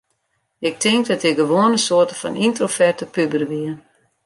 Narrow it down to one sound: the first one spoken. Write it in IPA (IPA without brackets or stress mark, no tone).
ɪ